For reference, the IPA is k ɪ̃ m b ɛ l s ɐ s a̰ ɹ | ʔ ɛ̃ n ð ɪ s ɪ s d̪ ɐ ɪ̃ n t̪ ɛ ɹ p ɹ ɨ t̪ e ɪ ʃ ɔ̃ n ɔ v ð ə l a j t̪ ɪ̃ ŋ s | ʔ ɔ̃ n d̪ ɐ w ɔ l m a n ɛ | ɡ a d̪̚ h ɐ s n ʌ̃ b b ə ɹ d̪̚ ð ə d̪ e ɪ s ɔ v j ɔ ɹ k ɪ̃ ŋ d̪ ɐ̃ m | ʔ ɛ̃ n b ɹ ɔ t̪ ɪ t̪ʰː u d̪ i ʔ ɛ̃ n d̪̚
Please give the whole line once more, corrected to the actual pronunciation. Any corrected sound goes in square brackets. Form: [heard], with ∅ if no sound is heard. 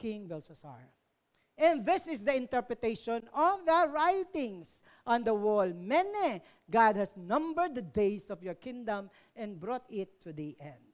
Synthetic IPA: k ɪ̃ [ŋ] b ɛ l s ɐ s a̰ ɹ | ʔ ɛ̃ n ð ɪ s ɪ s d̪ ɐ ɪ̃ n t̪ ɛ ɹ p ɹ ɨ t̪ e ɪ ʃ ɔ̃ n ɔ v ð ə [ɹ] a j t̪ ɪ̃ ŋ s | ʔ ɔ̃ n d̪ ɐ w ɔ l m [ɛ] n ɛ | ɡ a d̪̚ h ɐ s n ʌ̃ [m] b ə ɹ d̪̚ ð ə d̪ e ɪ s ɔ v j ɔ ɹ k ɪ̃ ŋ d̪ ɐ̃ m | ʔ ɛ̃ n b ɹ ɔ t̪ ɪ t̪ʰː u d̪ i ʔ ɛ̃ n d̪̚